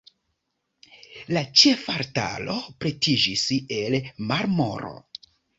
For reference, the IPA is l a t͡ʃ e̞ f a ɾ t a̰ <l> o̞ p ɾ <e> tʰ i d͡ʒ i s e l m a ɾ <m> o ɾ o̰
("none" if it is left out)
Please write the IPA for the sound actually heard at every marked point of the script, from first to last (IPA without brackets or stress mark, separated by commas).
l, e, m